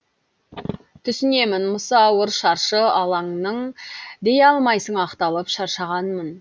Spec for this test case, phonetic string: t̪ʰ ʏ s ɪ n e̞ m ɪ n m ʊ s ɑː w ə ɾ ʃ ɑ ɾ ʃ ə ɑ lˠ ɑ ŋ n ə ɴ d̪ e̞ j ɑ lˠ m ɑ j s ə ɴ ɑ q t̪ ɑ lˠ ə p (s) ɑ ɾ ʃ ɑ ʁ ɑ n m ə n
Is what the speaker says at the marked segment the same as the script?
no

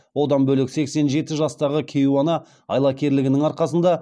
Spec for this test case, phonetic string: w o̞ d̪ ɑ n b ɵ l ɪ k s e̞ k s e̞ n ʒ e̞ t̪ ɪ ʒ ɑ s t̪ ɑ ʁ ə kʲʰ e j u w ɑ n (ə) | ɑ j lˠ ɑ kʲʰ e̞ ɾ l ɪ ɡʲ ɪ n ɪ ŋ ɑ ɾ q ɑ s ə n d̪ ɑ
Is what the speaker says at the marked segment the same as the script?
no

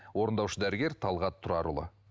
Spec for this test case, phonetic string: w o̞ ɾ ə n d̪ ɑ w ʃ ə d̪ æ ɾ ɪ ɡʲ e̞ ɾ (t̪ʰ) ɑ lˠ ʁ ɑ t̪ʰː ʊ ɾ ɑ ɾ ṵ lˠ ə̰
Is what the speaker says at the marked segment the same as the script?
yes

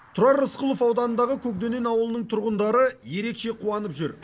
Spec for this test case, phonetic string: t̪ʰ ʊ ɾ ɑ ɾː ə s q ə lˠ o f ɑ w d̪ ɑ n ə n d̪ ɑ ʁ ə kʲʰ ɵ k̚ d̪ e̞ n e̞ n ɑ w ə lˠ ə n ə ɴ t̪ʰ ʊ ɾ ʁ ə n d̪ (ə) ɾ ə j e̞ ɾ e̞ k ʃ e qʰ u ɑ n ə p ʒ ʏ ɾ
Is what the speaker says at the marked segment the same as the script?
no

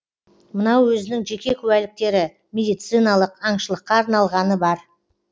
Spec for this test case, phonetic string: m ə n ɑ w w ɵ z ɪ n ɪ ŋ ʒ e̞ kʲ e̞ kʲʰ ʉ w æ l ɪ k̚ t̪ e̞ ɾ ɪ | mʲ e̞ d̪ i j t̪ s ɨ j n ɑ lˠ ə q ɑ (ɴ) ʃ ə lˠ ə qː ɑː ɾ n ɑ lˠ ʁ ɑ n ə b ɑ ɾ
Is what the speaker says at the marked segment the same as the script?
yes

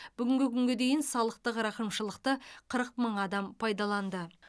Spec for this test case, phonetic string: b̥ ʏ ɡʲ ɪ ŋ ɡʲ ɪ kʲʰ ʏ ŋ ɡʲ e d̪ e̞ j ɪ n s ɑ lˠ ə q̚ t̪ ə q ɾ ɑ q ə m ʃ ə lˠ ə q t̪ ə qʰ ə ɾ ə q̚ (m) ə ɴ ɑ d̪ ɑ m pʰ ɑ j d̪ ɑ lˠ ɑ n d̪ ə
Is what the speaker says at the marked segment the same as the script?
yes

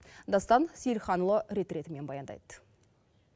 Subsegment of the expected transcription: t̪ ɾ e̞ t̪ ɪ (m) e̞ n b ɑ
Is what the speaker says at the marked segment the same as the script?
yes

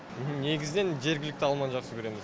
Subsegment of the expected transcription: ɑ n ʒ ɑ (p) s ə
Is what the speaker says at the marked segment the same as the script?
no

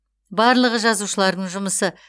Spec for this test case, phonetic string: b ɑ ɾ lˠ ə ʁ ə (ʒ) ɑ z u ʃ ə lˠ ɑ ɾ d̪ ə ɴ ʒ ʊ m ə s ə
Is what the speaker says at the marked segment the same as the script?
yes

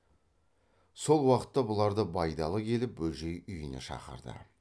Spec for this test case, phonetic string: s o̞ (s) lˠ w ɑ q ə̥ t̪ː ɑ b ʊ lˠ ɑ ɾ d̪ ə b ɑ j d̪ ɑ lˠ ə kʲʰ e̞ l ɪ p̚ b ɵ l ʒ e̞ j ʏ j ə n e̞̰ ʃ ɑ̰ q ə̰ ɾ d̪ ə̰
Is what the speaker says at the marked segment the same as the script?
no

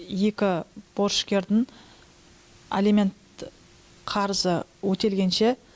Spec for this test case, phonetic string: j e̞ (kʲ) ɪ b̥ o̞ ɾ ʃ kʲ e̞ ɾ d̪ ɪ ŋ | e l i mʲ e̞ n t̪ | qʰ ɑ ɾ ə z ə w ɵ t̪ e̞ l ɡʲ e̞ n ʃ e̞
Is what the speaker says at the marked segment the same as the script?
yes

